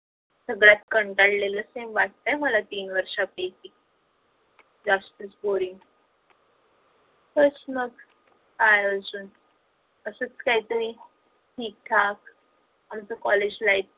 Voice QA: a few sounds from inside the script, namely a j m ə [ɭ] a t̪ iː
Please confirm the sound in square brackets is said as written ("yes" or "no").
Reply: no